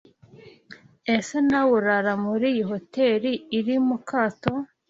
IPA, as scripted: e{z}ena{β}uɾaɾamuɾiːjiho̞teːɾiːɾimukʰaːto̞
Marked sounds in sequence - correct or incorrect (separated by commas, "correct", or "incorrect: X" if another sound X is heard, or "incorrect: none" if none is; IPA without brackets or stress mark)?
incorrect: s, incorrect: w